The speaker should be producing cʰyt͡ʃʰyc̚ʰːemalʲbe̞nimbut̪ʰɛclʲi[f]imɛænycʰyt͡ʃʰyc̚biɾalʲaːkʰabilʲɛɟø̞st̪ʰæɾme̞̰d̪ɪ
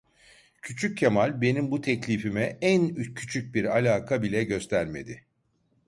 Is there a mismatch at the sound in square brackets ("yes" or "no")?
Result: no